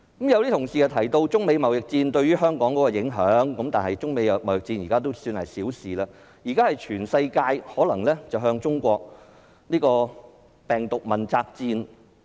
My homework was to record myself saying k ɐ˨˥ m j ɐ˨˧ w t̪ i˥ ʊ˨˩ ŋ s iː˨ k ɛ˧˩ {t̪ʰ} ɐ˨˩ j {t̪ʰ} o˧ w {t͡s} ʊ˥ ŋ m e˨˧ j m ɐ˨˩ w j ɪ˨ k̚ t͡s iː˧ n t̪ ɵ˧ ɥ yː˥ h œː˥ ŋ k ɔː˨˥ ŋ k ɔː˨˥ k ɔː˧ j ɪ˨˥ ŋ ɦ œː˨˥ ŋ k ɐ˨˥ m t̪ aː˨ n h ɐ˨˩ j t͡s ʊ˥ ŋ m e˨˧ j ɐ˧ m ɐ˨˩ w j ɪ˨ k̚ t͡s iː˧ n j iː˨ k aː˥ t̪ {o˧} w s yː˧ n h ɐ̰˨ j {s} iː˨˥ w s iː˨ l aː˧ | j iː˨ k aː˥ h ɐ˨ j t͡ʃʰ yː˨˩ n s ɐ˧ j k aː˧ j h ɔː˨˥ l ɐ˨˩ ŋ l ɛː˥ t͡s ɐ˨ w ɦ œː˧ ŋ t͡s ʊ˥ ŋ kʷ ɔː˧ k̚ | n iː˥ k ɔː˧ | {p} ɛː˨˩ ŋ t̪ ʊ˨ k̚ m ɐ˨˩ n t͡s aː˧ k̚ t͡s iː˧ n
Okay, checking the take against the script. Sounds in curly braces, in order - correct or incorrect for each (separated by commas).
correct, incorrect, correct, incorrect, correct, correct